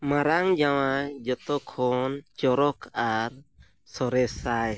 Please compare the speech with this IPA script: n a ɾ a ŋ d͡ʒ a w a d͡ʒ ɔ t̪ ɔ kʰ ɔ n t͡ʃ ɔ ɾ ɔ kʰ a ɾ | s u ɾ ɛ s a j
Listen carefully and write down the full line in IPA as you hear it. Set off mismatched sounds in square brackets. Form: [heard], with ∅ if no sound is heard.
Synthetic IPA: [m] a ɾ a ŋ d͡ʒ a w a d͡ʒ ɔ t̪ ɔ kʰ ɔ n t͡ʃ ɔ ɾ ɔ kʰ a ɾ | s [ɔ] ɾ ɛ s a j